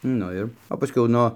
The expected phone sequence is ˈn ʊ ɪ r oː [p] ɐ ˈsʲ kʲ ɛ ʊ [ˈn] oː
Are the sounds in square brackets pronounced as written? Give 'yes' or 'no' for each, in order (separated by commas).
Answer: yes, yes